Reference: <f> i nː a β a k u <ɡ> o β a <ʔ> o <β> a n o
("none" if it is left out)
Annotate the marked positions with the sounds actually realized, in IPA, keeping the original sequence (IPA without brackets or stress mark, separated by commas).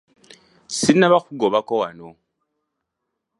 s, ɡ, k, w